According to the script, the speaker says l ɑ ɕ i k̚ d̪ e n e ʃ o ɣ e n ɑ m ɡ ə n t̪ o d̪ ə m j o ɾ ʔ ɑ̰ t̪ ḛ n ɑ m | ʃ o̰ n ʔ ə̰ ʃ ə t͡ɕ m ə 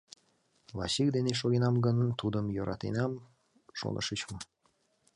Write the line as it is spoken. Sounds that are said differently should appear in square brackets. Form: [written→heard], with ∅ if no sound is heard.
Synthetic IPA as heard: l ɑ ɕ i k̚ d̪ e n e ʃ o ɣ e n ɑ m ɡ ə n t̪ [o→u] d̪ ə m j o ɾ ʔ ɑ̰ t̪ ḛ n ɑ m | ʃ o̰ n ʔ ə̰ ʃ ə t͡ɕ m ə